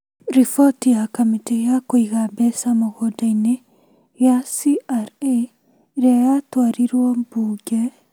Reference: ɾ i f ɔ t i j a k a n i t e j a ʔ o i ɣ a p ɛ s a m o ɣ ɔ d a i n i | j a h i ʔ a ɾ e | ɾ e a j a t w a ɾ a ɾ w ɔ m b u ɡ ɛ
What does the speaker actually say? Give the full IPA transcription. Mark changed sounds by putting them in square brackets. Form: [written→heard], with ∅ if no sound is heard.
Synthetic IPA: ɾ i f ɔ t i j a k a [n→m] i t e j a [ʔ→k] o i ɣ a [p→b] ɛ s a m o ɣ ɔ d a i n [i→e] | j a [h→s] i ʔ a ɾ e | ɾ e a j a t w a ɾ [a→i] ɾ w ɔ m b u ɡ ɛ